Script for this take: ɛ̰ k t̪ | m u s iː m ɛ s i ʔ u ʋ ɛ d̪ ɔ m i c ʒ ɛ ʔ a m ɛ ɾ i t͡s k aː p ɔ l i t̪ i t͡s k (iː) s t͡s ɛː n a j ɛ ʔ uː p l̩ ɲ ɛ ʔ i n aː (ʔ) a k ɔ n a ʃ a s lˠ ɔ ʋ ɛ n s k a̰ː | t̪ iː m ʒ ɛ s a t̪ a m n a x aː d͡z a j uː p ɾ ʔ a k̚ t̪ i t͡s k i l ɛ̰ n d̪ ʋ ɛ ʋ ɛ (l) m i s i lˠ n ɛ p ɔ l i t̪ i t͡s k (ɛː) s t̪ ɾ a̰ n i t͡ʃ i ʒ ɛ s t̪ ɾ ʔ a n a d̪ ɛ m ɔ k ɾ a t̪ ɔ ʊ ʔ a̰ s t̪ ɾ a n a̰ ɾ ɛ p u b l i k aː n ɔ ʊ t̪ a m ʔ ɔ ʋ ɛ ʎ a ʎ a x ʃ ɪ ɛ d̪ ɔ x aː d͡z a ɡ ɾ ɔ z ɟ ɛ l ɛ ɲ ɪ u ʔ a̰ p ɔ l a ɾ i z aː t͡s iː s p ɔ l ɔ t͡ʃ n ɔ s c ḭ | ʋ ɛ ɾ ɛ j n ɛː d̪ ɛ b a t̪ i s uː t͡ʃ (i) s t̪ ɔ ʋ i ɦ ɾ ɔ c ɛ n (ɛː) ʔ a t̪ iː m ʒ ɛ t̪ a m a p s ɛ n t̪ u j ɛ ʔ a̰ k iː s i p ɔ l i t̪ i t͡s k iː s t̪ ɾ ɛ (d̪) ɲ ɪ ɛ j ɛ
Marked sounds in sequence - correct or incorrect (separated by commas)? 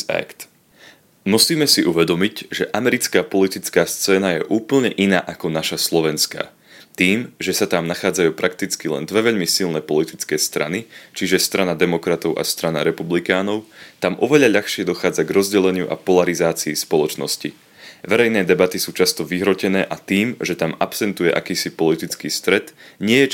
incorrect, correct, incorrect, correct, incorrect, correct, incorrect